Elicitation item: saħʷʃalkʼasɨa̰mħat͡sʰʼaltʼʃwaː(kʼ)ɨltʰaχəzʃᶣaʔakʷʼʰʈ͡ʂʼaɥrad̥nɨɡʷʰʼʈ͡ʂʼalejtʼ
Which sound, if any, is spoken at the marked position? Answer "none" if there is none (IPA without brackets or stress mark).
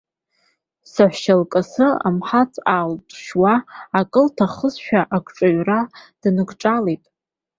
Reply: kʼ